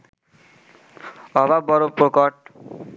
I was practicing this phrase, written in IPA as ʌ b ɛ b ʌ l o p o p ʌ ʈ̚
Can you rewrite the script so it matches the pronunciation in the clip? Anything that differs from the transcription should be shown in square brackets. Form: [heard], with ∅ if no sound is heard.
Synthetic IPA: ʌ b [a] b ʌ [ɾ] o p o [k] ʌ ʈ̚

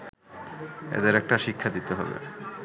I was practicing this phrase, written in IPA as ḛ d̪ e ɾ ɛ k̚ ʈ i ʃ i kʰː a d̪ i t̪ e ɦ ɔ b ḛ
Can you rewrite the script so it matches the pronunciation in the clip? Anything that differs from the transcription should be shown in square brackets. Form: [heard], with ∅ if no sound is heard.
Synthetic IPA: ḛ d̪ e ɾ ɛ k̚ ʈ [a] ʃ i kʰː a d̪ i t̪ e ɦ ɔ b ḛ

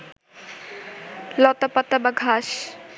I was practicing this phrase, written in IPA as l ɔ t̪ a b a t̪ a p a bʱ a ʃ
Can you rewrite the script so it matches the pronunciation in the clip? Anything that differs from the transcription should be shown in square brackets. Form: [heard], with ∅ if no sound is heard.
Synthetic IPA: l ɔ t̪ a [p] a t̪ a [b] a [ɡʱ] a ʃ

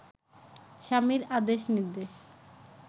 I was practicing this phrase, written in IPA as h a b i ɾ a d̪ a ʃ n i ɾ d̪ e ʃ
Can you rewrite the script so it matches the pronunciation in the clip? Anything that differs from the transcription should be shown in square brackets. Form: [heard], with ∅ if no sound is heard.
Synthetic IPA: [ʃ] a [m] i ɾ a d̪ [e] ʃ n i ɾ d̪ e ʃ

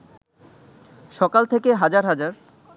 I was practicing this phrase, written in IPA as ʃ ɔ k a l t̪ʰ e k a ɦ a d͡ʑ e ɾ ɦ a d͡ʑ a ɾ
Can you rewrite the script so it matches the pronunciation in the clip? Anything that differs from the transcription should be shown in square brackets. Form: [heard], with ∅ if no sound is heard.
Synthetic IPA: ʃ ɔ k a l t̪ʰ e k [e] ɦ a d͡ʑ [a] ɾ ɦ a d͡ʑ a ɾ

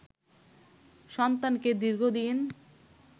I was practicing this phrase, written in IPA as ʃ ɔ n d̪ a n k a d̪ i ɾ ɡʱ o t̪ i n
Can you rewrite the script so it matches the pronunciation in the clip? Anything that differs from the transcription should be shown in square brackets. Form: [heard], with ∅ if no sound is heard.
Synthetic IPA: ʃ ɔ n [t̪] a n k [e] d̪ i ɾ ɡʱ o [d̪] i n

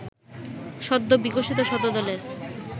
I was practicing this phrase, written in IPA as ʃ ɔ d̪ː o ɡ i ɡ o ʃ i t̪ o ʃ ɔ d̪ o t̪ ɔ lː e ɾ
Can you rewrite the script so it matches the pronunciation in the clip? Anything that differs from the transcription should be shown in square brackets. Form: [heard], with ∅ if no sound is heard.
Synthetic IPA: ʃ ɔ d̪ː o [b] i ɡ o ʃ i t̪ o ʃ ɔ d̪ o [d̪] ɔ [l] e ɾ

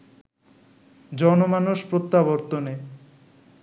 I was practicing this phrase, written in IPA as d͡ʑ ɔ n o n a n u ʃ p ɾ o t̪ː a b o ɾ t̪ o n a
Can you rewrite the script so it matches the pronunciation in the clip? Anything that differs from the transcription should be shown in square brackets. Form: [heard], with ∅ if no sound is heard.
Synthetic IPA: d͡ʑ ɔ n o [m] a n u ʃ p ɾ o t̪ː a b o ɾ t̪ o n [e]

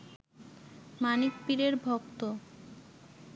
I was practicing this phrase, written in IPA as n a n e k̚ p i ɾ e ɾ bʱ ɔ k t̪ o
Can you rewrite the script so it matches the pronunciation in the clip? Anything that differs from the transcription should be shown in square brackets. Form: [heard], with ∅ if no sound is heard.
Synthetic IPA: [m] a n [i] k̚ p i ɾ e ɾ bʱ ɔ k t̪ o

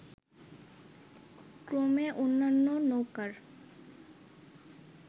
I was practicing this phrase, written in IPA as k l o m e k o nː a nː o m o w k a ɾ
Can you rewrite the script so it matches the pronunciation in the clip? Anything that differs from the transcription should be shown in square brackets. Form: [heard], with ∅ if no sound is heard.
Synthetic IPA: k [ɾ] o m e [ʔ] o nː a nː o [n] o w k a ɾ

